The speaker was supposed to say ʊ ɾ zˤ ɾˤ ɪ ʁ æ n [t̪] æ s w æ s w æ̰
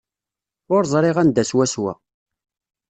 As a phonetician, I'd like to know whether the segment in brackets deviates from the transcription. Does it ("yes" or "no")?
yes